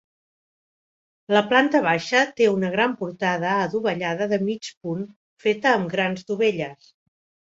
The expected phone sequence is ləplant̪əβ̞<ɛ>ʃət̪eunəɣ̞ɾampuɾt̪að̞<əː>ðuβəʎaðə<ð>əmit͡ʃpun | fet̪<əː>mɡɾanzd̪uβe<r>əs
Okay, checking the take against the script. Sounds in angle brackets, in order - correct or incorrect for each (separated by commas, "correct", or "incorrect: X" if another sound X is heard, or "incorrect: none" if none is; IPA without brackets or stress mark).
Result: incorrect: a, correct, correct, correct, incorrect: ʎ